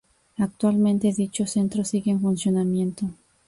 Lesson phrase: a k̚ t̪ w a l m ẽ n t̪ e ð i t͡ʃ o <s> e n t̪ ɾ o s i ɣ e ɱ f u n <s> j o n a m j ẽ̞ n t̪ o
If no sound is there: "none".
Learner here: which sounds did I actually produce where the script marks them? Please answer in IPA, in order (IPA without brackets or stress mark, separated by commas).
s, s